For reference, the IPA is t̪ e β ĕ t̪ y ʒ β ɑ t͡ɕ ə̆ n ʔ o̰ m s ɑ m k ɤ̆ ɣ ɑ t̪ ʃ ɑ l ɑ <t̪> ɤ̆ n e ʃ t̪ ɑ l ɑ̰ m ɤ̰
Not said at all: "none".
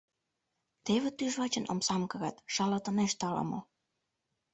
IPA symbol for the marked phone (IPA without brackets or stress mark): t̪